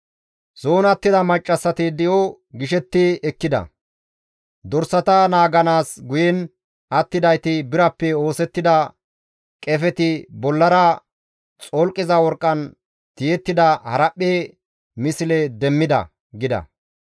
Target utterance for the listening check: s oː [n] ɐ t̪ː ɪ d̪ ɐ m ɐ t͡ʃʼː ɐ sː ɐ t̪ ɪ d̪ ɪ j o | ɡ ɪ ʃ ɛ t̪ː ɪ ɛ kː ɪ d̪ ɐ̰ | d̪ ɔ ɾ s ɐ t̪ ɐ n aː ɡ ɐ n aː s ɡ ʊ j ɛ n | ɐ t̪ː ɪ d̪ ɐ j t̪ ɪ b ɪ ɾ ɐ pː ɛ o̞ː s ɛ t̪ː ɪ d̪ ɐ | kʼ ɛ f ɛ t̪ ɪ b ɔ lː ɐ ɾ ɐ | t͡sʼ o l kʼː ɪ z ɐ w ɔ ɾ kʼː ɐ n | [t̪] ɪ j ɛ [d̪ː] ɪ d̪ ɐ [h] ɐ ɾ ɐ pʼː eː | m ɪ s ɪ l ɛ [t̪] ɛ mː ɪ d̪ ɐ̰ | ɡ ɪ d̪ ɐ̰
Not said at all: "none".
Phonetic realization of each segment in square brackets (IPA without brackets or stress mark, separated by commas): n, t̪, t̪ː, h, d̪